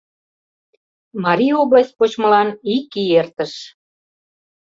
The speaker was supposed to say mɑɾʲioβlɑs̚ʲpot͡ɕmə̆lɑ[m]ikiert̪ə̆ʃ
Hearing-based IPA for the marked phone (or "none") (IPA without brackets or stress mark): n